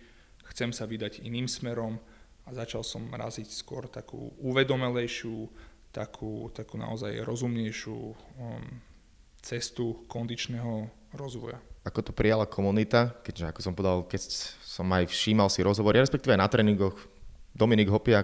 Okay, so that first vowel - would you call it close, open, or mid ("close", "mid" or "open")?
mid